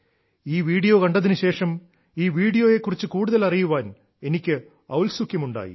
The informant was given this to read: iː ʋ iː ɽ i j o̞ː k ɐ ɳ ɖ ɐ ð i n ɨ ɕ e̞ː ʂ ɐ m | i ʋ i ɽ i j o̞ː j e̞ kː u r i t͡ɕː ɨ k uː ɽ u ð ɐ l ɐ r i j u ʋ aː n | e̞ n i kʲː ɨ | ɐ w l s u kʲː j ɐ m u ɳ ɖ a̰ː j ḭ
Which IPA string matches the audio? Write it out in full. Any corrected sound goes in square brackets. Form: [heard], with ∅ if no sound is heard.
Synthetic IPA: iː ʋ iː ɽ i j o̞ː k ɐ ɳ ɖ ɐ ð i n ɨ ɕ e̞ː ʂ ɐ m | [iː] ʋ [iː] ɽ i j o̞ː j e̞ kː u r i t͡ɕː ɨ k uː ɽ u ð ɐ l ɐ r i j u ʋ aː n | e̞ n i kʲː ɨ | ɐ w l s u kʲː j ɐ m u ɳ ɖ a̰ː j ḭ